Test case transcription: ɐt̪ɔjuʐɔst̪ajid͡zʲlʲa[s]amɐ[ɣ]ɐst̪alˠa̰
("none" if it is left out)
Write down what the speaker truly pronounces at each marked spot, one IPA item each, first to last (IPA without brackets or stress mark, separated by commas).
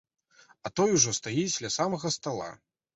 s, ɣ